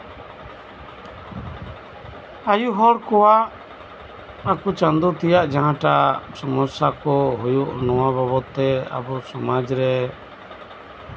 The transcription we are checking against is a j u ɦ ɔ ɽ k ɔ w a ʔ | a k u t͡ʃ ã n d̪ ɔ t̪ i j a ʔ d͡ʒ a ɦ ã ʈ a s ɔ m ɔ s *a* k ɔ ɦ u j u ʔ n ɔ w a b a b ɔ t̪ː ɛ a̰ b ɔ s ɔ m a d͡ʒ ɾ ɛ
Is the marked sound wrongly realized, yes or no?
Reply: no